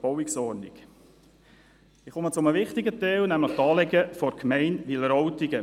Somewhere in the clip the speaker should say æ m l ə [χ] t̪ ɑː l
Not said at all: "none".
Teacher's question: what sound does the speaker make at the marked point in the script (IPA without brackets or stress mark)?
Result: χ